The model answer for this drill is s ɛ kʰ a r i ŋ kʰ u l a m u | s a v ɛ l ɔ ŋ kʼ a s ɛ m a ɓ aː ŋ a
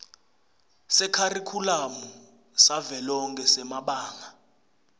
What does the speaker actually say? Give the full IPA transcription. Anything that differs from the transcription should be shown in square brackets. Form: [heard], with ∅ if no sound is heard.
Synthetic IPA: s ɛ kʰ a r i [∅] kʰ u l a m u | s a v ɛ l ɔ ŋ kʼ [ɛ] s ɛ m a ɓ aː ŋ a